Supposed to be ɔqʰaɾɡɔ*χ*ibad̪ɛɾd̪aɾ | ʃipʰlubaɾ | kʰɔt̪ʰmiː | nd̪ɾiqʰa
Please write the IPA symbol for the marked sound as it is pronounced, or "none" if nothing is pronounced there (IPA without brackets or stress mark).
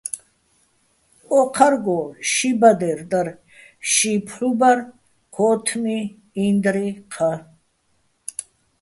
ʃ